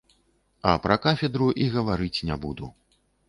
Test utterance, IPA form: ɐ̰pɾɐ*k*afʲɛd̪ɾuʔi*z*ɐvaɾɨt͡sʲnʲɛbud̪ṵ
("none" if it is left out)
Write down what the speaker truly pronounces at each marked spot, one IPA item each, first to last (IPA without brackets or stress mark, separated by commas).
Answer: k, ɣ